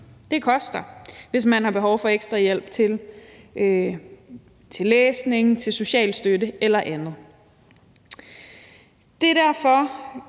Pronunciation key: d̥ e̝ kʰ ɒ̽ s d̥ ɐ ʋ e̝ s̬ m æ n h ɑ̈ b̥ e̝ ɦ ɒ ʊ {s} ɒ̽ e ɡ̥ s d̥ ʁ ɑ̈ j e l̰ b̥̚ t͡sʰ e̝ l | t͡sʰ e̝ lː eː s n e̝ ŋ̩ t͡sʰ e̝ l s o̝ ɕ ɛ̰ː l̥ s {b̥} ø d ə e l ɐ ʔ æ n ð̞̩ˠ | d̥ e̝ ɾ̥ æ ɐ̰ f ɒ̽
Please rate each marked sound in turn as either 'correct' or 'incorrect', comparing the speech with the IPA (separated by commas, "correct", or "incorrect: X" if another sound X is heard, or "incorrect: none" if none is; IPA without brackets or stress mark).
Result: incorrect: f, incorrect: d̥